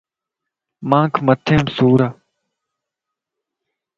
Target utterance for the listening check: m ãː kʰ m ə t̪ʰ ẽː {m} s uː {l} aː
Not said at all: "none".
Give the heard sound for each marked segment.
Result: m, ɾ

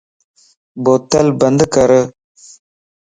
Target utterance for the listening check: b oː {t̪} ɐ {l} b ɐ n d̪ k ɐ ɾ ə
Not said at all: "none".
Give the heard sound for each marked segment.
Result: t̪, l

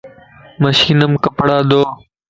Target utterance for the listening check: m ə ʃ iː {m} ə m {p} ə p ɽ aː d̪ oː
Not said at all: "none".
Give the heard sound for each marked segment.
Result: n, k

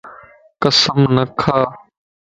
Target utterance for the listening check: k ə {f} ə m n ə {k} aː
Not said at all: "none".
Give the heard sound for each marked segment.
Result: s, kʰ

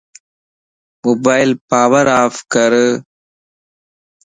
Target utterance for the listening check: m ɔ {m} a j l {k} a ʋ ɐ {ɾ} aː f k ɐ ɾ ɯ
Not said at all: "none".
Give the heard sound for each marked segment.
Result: b, p, ɾ

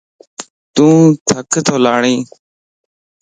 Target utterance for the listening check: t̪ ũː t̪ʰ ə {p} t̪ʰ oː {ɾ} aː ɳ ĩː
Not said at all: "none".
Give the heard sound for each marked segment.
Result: k, l

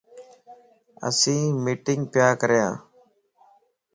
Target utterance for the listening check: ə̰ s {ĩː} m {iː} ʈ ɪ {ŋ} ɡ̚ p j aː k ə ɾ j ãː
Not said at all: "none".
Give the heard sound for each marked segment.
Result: ĩː, iː, ŋ

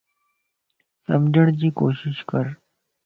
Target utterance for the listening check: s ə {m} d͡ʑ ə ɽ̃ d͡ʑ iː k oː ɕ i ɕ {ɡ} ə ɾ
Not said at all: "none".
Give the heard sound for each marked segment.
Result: m, k

